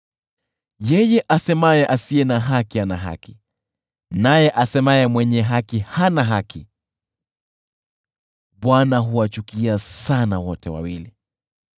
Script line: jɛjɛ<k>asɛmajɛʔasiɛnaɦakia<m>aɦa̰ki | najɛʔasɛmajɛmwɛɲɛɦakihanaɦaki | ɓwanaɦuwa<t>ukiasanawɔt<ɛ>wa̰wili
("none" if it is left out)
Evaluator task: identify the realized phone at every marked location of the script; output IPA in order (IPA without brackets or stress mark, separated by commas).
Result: ʔ, n, t͡ʃ, ɛ